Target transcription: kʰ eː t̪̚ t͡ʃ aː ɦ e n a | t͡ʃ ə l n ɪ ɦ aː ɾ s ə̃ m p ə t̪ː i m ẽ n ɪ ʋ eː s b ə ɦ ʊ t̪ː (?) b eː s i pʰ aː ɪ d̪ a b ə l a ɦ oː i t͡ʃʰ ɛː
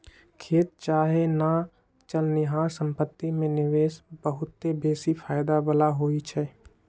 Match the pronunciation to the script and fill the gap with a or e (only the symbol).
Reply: e